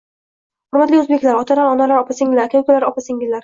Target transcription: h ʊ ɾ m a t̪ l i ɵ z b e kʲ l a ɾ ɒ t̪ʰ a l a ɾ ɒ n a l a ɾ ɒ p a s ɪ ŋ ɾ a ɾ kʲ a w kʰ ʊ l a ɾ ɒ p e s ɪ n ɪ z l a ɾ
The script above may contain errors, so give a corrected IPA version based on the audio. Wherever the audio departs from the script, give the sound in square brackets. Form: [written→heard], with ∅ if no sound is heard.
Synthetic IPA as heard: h ʊ ɾ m a t̪ l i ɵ z b e kʲ l a ɾ ɒ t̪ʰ a l a ɾ ɒ n a l a ɾ ɒ p a s ɪ ŋ [ɾ→l] a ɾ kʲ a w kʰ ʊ l a ɾ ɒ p [e→a] s ɪ [n→ŋ] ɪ z l a ɾ